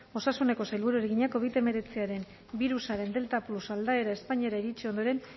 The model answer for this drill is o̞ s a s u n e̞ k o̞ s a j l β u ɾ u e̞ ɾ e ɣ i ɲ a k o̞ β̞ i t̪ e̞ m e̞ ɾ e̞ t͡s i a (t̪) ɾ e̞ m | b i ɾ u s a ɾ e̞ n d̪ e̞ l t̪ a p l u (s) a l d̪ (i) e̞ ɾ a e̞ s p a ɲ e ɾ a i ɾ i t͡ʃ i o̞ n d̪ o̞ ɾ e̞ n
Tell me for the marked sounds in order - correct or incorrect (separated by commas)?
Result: incorrect, correct, incorrect